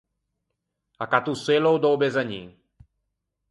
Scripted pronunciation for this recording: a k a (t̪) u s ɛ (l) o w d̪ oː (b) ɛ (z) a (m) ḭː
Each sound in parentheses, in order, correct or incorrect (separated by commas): correct, correct, correct, correct, incorrect